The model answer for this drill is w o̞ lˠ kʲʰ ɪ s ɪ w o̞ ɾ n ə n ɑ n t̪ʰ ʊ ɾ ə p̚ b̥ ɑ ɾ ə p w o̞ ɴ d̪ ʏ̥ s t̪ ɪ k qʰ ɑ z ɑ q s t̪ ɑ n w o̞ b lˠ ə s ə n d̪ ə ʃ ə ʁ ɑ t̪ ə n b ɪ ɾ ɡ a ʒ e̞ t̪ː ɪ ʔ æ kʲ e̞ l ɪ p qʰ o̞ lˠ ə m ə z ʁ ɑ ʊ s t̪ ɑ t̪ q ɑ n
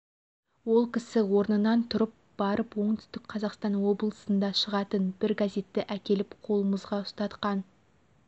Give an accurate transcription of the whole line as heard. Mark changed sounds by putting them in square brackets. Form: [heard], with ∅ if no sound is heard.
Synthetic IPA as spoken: w o̞ lˠ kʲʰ ɪ s ɪ w o̞ ɾ n ə n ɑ n t̪ʰ ʊ ɾ ə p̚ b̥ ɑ ɾ ə p w o̞ ɴ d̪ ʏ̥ s t̪ ɪ k qʰ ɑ z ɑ q s t̪ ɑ n w o̞ b lˠ ə s ə n d̪ [ɑ] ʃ ə ʁ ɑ t̪ ə n b ɪ ɾ ɡ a [z] e̞ t̪ː ɪ ʔ æ kʲ e̞ l ɪ p qʰ o̞ lˠ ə m ə z ʁ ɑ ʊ s t̪ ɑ t̪ q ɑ n